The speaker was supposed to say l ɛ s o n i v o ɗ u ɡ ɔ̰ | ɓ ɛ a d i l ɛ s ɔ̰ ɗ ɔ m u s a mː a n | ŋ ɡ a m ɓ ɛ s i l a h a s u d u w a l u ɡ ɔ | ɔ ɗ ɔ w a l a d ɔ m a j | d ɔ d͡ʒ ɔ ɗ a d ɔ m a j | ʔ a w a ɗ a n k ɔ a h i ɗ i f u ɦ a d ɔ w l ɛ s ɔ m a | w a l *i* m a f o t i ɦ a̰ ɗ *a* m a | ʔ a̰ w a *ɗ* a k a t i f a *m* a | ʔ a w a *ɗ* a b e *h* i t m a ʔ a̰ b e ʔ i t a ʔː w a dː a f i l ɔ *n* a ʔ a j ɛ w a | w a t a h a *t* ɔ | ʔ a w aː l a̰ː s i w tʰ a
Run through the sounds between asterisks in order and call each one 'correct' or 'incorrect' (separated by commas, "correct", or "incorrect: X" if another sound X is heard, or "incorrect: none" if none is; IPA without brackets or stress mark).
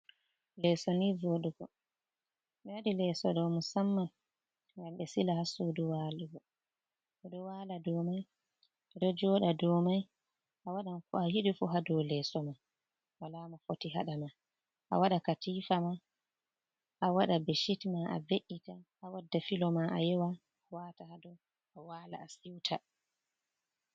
incorrect: a, correct, correct, correct, correct, incorrect: ʃ, incorrect: m, incorrect: d